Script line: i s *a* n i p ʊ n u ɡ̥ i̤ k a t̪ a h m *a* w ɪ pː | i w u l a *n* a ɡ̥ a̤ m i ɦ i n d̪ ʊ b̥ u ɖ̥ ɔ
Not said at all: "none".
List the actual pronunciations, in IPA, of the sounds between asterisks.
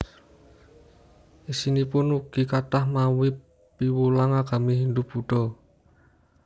i, a, ŋ

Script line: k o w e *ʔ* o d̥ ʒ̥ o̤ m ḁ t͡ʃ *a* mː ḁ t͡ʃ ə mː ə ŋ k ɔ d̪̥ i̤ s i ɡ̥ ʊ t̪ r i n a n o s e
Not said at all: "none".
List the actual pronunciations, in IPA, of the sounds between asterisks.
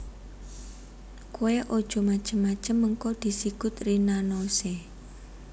ʔ, ə

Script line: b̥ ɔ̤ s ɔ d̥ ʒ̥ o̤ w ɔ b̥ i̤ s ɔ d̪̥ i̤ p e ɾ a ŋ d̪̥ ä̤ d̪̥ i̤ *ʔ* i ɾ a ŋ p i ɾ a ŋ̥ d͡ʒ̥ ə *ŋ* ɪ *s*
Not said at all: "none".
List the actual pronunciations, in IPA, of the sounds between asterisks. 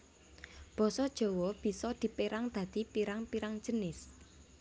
p, n, s

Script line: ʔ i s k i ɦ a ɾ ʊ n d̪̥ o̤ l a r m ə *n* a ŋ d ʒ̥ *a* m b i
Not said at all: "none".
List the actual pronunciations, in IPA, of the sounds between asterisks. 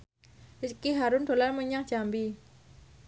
ɲ, a

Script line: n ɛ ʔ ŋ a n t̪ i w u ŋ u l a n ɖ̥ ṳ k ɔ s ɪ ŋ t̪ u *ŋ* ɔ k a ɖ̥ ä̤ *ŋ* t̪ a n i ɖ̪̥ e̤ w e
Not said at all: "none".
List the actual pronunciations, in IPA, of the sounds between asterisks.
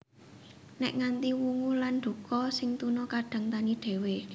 n, ŋ

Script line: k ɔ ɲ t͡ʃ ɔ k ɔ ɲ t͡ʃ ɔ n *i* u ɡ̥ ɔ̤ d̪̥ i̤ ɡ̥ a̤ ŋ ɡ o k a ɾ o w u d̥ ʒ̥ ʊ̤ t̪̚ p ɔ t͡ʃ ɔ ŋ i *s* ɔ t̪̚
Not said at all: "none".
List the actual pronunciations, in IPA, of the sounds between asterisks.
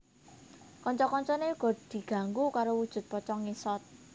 e, s

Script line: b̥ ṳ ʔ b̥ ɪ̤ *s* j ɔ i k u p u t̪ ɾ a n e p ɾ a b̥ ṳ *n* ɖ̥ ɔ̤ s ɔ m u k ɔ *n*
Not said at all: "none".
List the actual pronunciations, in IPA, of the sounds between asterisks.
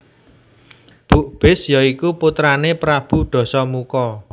s, none, none

